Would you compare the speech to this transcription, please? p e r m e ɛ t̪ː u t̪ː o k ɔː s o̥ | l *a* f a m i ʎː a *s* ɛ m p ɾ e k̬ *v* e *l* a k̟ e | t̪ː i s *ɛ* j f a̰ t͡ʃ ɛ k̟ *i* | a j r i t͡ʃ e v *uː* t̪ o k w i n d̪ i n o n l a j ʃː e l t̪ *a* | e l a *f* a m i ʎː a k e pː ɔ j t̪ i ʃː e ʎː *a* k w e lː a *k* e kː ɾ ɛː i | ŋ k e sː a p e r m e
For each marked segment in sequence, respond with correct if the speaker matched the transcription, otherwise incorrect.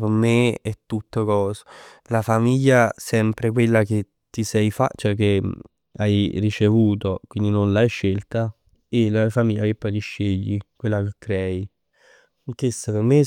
correct, correct, incorrect, incorrect, correct, incorrect, correct, correct, correct, incorrect, correct

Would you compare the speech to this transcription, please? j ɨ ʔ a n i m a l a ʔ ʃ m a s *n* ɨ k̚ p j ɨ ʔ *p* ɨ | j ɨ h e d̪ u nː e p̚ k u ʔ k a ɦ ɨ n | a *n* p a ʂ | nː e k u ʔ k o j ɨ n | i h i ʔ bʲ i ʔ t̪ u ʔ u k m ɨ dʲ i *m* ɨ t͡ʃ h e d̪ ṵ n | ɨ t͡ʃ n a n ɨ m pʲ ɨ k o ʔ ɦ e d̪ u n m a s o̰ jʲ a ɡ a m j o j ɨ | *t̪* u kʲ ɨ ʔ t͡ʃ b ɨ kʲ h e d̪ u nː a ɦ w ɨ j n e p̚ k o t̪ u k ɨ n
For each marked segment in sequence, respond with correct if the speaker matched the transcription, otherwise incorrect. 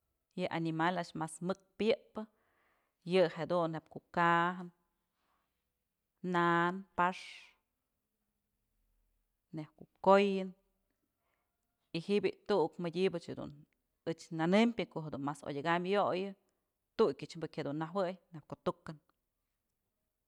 incorrect, correct, correct, incorrect, correct

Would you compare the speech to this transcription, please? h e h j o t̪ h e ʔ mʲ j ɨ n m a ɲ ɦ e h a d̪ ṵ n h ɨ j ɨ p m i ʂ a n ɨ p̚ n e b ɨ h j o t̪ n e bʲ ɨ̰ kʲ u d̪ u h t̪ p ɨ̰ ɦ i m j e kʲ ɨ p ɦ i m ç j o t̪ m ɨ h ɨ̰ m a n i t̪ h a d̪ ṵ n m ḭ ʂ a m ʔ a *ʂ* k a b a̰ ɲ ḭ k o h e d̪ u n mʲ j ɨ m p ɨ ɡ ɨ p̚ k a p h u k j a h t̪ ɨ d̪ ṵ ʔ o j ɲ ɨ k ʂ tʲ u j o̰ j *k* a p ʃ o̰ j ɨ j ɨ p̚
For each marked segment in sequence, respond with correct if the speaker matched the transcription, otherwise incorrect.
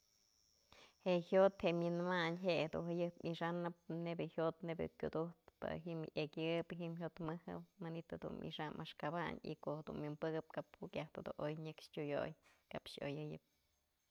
correct, correct

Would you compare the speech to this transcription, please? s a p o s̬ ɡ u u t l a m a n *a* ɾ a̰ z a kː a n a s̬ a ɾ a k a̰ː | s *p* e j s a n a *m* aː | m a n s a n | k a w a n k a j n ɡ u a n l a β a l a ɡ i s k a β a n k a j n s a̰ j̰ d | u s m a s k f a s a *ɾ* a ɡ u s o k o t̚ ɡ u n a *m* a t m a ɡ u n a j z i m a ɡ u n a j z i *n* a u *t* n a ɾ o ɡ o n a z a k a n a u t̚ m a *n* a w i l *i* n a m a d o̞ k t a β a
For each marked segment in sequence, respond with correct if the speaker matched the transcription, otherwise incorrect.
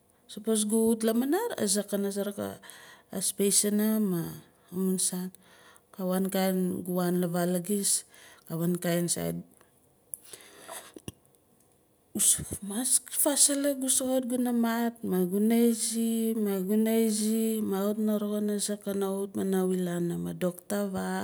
correct, correct, correct, incorrect, correct, incorrect, correct, correct, incorrect

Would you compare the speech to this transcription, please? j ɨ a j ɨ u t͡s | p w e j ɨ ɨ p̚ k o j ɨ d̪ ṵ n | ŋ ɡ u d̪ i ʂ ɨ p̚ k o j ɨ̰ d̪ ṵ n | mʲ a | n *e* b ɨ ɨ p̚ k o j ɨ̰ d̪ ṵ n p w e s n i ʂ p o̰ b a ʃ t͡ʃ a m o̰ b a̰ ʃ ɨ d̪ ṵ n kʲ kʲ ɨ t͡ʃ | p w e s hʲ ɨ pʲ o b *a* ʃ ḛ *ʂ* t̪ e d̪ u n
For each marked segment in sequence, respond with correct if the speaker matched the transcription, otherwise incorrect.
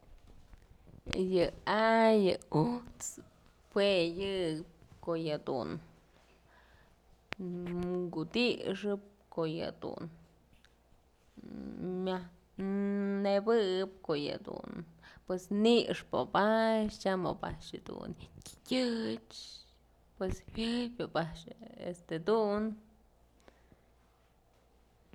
correct, correct, incorrect

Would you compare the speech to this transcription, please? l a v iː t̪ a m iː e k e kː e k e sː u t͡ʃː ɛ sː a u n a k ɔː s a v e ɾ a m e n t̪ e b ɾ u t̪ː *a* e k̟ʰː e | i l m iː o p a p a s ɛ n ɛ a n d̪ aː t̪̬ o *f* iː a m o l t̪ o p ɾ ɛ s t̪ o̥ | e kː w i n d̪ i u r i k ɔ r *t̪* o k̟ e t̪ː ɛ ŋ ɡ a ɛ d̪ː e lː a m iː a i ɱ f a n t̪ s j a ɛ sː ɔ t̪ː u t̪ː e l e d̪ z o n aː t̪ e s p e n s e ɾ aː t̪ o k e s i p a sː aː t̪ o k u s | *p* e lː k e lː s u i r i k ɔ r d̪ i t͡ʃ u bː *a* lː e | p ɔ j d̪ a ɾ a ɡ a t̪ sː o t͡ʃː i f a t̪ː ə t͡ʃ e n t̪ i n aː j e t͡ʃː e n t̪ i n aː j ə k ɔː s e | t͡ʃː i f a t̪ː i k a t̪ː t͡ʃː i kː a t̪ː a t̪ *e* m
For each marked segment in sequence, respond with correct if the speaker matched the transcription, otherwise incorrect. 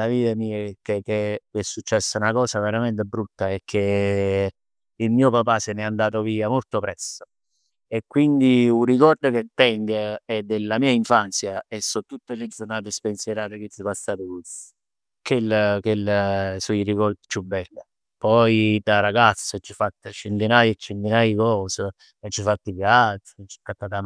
correct, incorrect, incorrect, incorrect, incorrect, incorrect

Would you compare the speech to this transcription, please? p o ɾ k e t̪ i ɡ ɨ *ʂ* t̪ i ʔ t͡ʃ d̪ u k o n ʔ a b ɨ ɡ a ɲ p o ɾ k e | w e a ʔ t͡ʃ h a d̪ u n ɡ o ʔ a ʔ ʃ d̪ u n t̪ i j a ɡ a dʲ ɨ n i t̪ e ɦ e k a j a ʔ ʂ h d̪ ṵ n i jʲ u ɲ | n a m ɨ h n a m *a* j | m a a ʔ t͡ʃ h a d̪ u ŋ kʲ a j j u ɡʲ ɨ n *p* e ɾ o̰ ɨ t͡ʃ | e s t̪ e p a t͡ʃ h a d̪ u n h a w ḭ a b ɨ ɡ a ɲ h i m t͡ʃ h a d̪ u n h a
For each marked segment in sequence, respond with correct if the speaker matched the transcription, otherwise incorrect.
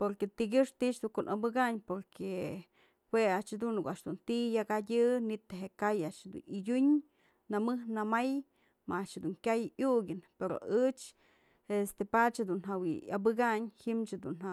correct, correct, correct

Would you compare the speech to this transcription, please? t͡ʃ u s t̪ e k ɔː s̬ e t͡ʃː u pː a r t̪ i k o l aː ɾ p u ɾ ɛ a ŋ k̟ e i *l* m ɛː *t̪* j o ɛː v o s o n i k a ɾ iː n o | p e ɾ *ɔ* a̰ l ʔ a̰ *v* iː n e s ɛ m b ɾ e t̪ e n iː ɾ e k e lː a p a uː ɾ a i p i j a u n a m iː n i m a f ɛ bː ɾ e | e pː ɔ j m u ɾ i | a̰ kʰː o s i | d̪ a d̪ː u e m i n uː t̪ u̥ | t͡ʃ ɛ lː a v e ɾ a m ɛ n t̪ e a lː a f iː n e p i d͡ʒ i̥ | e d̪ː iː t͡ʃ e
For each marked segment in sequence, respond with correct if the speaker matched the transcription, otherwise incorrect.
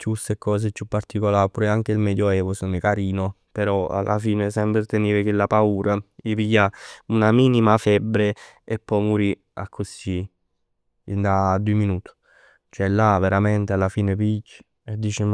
correct, incorrect, correct, incorrect

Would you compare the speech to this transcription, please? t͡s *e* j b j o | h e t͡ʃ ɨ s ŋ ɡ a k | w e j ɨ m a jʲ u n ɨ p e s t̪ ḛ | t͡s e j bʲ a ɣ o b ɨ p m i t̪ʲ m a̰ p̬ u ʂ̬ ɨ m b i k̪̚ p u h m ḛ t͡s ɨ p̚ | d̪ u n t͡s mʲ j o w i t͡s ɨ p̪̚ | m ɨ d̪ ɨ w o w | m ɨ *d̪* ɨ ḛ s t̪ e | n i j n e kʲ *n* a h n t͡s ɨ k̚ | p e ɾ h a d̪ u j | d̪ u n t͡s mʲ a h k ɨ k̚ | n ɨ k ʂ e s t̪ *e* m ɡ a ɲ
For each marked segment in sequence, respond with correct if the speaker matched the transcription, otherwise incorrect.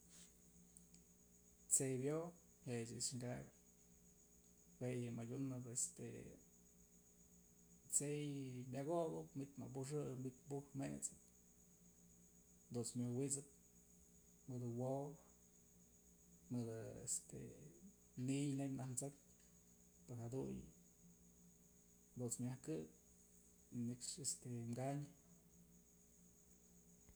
correct, correct, correct, correct

